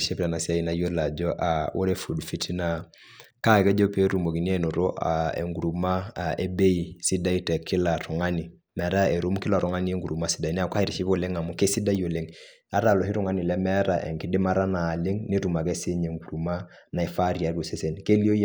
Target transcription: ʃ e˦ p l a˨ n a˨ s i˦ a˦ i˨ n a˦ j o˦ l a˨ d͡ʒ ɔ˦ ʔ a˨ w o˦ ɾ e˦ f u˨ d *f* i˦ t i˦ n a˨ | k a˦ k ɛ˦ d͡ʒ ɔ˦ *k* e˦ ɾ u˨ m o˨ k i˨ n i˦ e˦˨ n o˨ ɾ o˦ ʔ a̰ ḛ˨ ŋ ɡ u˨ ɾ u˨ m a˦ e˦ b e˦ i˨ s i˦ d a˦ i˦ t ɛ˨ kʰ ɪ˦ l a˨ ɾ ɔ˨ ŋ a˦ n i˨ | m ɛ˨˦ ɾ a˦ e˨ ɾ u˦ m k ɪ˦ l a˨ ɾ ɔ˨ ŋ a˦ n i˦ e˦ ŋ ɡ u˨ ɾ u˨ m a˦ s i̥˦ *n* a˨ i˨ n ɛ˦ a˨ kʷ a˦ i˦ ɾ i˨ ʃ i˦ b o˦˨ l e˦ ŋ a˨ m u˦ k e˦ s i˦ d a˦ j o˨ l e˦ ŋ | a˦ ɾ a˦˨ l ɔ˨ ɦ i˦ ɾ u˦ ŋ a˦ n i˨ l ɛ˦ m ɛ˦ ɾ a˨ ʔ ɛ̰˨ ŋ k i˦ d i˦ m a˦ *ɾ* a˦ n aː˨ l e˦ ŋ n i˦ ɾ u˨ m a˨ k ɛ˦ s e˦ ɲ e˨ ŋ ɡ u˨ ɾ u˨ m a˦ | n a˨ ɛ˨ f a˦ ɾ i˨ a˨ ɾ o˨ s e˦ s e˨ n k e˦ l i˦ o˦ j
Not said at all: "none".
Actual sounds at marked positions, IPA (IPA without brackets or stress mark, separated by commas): f, p, d, ɾ